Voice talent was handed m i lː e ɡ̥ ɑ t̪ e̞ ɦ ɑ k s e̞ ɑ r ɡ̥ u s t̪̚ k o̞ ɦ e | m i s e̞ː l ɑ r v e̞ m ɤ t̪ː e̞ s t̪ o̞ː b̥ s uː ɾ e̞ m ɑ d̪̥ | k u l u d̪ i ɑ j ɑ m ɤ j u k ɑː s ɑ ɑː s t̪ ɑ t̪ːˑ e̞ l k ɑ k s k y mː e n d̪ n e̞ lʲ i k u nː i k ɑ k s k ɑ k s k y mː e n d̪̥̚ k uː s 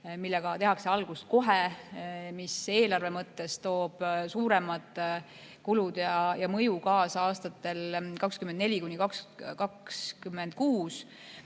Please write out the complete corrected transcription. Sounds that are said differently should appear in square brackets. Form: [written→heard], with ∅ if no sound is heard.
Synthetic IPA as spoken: m i lː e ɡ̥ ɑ t̪ e̞ ɦ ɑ k s e̞ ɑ [r→l] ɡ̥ u s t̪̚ k o̞ ɦ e | m i s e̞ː l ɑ r v e̞ m ɤ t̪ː e̞ s t̪ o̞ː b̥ s uː ɾ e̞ m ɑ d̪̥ | k u l u d̪ [i→j] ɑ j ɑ m ɤ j u k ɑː s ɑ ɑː s t̪ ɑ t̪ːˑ e̞ l k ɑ k s k y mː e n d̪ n e̞ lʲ i k u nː i k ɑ k s k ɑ k s k y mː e n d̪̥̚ k uː s